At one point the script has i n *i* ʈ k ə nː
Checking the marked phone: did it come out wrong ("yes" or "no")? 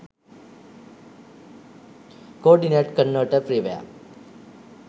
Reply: yes